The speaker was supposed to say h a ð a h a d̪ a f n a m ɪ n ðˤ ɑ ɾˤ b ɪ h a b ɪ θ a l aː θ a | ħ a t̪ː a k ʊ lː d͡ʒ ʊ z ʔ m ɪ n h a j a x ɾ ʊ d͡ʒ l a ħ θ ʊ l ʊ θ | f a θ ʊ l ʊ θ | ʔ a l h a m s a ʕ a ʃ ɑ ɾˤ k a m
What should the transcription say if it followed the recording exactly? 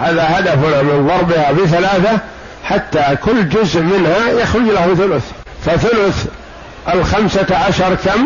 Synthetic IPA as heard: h a ð a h a d̪ a f n a m ɪ n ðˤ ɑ ɾˤ b ɪ h a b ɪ θ a l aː θ a | ħ a t̪ː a k ʊ lː d͡ʒ ʊ z ʔ m ɪ n h a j a x ɾ ʊ d͡ʒ l a h θ ʊ l ʊ θ | f a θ ʊ l ʊ θ | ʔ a l x a m s a ʕ a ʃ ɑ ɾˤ k a m